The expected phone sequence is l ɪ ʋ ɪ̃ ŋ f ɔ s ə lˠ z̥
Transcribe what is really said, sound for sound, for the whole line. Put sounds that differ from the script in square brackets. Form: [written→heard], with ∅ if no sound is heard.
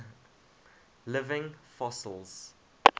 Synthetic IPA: l ɪ [ʋ→v] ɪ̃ ŋ f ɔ s ə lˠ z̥